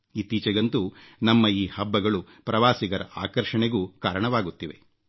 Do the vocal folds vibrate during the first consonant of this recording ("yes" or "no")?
no